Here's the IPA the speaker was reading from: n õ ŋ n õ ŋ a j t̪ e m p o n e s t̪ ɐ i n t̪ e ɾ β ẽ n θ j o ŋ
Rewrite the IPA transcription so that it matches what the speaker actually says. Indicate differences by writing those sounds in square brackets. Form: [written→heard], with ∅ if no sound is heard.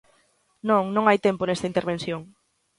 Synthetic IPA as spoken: n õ ŋ n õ ŋ a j t̪ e m p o n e s t̪ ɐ i n t̪ e ɾ β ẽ n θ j o ŋ

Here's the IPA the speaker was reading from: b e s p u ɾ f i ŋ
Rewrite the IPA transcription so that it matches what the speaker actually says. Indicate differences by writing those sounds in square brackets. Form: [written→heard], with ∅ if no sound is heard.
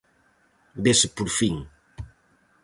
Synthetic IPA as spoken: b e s p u ɾ f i ŋ

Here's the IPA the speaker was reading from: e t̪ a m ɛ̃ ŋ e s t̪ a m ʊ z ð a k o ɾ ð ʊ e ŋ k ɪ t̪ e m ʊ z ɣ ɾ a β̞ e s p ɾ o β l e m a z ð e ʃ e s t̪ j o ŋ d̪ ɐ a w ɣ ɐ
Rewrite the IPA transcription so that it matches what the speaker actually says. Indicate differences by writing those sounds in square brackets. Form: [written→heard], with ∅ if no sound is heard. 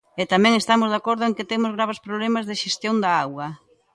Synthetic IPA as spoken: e t̪ a m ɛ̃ ŋ e s t̪ a m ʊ z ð a k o ɾ ð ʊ e ŋ k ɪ t̪ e m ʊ z ɣ ɾ a β̞ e s p ɾ o β l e m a z ð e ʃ e s t̪ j o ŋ d̪ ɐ a w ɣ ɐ

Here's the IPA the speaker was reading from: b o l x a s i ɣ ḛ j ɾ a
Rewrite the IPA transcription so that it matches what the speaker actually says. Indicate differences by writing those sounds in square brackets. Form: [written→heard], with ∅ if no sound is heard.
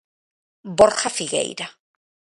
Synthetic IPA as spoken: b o [l→ɾ] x a [s→f] i ɣ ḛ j ɾ a

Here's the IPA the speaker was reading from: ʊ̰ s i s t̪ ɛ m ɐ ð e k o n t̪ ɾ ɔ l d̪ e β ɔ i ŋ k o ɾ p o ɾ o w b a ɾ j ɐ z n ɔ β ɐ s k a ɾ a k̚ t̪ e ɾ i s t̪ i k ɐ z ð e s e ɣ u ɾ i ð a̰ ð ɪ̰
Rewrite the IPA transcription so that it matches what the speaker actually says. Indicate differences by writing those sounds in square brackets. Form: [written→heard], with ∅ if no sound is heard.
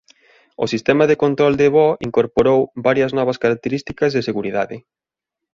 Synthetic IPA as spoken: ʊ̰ s i s t̪ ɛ m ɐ ð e k o n t̪ ɾ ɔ l d̪ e β ɔ i ŋ k o ɾ p o ɾ o w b a ɾ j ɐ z n ɔ β ɐ s k a ɾ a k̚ t̪ e ɾ i s t̪ i k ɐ z ð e s e ɣ u ɾ i ð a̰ ð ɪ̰

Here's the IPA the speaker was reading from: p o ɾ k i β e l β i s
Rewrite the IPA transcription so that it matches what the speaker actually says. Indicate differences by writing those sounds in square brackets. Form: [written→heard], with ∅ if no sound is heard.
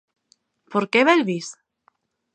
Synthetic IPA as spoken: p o ɾ k [i→e] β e l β i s

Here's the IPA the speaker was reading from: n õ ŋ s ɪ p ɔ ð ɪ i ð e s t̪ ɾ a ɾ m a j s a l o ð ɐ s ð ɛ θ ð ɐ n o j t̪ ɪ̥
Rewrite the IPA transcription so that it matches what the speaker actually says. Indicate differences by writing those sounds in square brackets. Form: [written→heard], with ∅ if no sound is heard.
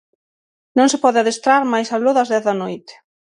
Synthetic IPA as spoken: n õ ŋ s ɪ p ɔ ð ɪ [i→a] ð e s t̪ ɾ a ɾ m a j s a l o ð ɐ [s→z] ð ɛ θ ð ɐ n o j t̪ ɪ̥

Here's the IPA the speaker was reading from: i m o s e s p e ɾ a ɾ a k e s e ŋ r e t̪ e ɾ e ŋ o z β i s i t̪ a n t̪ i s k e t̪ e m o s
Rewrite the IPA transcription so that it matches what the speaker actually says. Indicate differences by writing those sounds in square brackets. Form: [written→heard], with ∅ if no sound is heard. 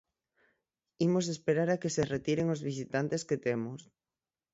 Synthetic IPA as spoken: i m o s e s p e ɾ a ɾ a k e s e [ŋ→∅] r e t̪ [e→i] ɾ e ŋ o z β i s i t̪ a n t̪ [i→e] s k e t̪ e m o s

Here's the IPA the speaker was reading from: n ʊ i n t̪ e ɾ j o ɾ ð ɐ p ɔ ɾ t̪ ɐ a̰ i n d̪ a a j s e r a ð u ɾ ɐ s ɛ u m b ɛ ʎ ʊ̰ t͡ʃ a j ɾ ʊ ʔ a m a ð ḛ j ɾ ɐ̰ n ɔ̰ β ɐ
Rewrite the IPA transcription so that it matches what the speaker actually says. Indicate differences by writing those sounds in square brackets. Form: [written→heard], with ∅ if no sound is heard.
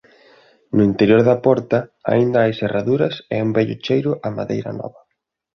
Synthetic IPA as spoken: n ʊ i n t̪ e ɾ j o ɾ ð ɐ p ɔ ɾ t̪ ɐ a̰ i n d̪ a a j s e r a ð u ɾ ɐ s ɛ u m b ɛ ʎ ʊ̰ t͡ʃ [a→e] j ɾ ʊ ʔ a m a ð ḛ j ɾ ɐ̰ n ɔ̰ β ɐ

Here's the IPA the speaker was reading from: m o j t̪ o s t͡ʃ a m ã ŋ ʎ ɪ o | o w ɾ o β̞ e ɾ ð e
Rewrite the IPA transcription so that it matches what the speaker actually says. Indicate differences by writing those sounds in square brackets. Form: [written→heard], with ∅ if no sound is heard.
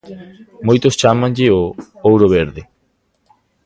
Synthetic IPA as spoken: m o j t̪ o s t͡ʃ a m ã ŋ ʎ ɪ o | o w ɾ o β̞ e ɾ ð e

